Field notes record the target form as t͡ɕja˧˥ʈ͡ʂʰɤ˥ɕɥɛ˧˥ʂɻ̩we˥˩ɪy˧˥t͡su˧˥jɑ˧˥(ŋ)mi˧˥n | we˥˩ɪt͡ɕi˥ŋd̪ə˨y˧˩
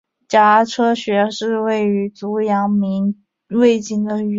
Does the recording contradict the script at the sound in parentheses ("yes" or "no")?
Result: no